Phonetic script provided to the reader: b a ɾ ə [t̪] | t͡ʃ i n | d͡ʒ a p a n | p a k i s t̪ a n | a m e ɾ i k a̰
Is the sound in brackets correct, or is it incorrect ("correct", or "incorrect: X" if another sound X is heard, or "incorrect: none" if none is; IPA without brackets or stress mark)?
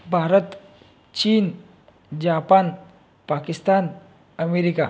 correct